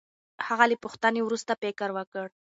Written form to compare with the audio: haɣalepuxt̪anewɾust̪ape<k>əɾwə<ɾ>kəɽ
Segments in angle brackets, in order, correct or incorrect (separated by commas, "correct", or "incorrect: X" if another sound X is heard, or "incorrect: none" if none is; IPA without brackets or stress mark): correct, incorrect: none